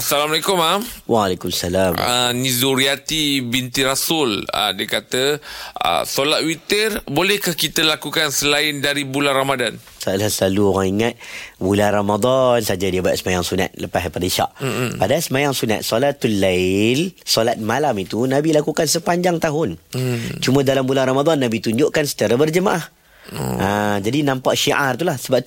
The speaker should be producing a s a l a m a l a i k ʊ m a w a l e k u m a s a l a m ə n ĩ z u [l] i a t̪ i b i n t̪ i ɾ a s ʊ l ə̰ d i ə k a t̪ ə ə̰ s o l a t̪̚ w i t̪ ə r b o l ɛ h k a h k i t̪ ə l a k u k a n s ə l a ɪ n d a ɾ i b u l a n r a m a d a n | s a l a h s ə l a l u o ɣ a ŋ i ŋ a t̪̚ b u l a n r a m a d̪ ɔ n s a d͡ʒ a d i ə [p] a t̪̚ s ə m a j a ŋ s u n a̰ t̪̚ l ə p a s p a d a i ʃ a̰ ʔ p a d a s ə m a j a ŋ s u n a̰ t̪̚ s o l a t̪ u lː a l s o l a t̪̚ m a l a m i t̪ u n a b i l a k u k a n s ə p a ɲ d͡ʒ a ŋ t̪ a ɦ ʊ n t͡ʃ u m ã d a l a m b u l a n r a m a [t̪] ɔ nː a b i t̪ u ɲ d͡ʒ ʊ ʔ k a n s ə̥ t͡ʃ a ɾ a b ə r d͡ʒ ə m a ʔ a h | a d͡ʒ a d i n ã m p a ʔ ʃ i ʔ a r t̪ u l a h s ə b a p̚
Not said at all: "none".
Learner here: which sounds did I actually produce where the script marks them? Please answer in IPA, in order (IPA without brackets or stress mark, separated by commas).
ɾ, b, d̪